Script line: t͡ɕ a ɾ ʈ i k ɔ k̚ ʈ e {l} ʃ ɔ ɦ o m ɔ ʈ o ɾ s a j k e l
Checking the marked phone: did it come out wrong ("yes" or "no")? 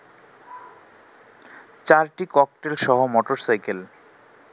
no